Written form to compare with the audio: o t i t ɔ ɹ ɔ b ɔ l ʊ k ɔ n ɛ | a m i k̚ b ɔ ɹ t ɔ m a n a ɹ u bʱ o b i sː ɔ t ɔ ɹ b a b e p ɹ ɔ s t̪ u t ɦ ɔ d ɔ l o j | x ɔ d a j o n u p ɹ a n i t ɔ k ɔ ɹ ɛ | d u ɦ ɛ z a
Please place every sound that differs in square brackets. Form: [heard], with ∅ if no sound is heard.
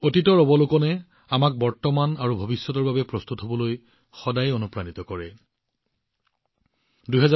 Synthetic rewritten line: o t i t ɔ ɹ ɔ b ɔ l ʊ k ɔ n ɛ | a m [a] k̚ b ɔ ɹ t ɔ m a n a ɹ u bʱ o b i sː ɔ t ɔ ɹ b a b [ɛ] p ɹ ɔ s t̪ u t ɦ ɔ [b] ɔ l o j | x ɔ d a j o n u p ɹ a n i t ɔ k ɔ ɹ ɛ | d u ɦ ɛ z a